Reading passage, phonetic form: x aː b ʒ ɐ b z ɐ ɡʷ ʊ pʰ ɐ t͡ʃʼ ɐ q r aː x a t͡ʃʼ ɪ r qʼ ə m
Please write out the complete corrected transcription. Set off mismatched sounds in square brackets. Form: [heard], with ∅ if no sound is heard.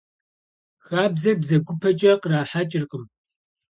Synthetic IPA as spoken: x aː b [z] ɐ b z ɐ ɡʷ ʊ pʰ ɐ t͡ʃʼ ɐ q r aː [ħ] a t͡ʃʼ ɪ r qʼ ə m